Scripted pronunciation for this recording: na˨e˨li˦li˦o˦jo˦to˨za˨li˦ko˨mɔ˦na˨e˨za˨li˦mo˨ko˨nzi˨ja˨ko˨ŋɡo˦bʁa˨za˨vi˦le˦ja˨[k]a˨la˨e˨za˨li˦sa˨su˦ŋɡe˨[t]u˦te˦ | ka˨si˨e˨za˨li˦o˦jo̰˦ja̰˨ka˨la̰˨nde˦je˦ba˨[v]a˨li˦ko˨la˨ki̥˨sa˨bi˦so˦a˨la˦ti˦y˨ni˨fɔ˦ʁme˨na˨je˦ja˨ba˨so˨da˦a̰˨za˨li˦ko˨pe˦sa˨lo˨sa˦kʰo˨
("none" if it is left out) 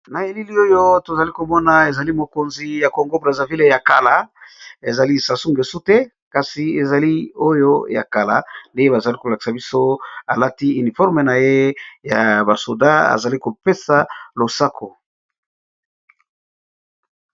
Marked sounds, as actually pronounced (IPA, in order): k, s, z

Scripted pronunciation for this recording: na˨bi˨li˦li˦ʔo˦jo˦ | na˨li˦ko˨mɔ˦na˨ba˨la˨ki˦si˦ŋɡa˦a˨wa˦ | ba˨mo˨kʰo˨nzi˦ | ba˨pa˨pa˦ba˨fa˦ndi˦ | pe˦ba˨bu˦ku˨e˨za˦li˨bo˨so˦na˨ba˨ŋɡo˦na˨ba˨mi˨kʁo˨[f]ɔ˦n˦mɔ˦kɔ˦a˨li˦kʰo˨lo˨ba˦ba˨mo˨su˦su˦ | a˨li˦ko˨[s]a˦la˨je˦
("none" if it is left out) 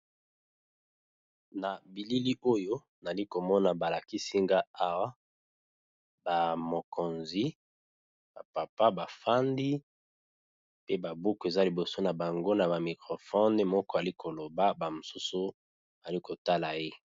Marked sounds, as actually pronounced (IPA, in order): f, t

